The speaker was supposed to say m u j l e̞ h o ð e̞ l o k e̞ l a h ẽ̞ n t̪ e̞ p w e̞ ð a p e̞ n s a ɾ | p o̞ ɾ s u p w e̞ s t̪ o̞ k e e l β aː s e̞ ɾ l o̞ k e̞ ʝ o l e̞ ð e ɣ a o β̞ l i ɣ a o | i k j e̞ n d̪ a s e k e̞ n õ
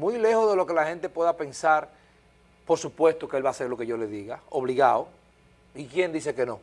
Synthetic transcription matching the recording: m u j l e̞ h o ð e̞ l o k e̞ l a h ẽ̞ n t̪ e̞ p w e̞ ð a p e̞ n s a ɾ | p o̞ ɾ s u p w e̞ s t̪ o̞ k e e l β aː s e̞ ɾ l o̞ k e̞ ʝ o l e̞ ð i ɣ a o β̞ l i ɣ a o | i k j e̞ n d̪ i s e k e̞ n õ